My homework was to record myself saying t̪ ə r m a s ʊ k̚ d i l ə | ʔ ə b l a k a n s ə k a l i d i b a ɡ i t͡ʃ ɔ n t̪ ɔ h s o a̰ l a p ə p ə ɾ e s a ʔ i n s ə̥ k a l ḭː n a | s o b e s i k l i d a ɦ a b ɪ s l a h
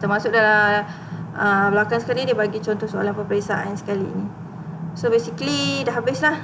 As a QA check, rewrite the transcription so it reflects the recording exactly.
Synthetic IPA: t̪ ə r m a s ʊ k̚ d a l a | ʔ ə b l a k a n s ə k a l i d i b a ɡ i t͡ʃ ɔ n t̪ ɔ h s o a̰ l a p ə p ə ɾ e s a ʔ a n s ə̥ k a l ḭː n i | s o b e s i k l i d a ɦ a b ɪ s l a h